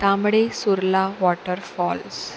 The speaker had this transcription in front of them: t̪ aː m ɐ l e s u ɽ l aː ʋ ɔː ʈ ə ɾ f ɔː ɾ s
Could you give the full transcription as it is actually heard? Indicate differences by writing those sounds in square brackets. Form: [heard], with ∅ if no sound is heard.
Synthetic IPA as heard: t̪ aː m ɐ [ɽ] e s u [ɾ] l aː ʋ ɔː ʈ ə ɾ f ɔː [l] s

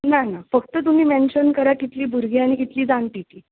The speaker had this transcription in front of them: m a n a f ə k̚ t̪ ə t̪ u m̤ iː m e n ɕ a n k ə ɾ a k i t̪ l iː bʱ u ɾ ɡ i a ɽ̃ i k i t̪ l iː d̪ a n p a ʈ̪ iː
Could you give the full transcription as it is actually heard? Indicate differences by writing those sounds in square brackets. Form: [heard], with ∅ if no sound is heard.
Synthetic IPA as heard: [n] a n a f ə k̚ t̪ ə t̪ u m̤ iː m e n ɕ [ə] n k ə ɾ a k i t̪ l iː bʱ u ɾ ɡ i a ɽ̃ i k i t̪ l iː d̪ a n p [i] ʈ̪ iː

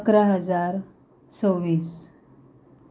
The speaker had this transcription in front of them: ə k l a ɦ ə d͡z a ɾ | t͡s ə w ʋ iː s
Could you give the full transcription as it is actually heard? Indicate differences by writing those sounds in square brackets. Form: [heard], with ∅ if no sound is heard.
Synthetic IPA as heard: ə k [ɾ] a ɦ ə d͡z a ɾ | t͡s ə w ʋ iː s

